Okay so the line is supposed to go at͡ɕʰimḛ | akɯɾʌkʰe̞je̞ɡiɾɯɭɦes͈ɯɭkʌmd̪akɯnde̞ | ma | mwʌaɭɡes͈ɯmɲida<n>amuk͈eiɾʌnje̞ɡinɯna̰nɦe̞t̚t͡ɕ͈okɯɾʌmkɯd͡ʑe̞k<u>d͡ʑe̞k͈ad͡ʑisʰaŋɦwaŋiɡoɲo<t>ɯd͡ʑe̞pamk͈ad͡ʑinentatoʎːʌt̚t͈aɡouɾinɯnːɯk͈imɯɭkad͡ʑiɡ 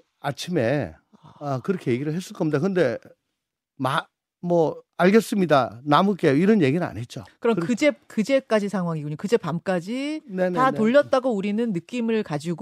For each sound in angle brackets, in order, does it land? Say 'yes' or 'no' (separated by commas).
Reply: yes, no, no